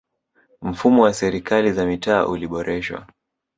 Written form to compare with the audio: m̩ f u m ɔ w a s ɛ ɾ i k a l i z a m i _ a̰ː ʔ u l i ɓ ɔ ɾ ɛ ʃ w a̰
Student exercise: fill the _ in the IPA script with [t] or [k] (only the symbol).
t